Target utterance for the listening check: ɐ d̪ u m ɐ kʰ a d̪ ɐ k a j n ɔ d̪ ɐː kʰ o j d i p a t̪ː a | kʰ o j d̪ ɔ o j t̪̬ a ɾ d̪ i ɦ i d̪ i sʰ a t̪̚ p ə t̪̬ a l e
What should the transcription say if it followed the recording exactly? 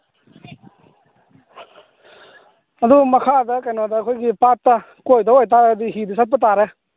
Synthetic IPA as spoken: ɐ d̪ u m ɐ kʰ a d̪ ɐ k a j n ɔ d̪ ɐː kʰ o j ɡ i p a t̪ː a | k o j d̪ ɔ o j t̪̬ a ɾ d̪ i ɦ i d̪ i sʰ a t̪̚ p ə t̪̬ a ɾ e